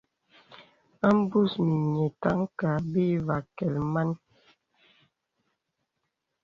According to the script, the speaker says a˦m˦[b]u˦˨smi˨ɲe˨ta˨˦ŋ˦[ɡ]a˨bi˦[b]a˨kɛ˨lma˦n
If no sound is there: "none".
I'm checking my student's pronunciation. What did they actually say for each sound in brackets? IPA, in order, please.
b, k, v

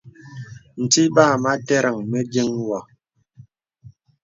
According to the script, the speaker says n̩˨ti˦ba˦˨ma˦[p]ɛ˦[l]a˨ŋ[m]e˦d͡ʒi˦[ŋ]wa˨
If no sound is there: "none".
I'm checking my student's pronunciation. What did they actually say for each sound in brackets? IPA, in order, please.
t, ɾ, m, ŋ

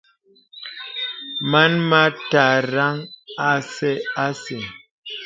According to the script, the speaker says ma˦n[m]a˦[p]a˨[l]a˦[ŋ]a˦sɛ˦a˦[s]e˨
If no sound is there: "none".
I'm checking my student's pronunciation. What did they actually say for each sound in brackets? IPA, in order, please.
m, t, ɾ, ŋ, s

